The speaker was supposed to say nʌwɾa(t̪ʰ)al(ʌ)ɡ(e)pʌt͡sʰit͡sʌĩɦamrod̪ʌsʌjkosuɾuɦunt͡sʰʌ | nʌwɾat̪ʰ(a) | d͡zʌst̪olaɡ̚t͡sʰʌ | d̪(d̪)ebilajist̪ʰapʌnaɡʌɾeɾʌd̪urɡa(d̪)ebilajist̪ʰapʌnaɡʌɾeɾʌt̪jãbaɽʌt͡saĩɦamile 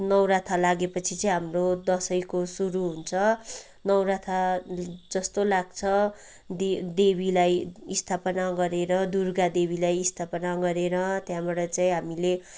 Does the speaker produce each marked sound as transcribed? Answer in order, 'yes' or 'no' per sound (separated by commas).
yes, no, yes, yes, yes, yes